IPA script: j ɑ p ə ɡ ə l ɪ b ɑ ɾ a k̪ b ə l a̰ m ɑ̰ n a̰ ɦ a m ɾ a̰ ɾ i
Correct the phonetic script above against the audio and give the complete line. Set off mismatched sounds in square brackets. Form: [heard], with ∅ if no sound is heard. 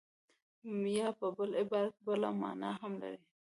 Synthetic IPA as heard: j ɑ p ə [b] ə l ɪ b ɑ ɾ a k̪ b ə l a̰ m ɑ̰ n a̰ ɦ a m [l] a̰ ɾ i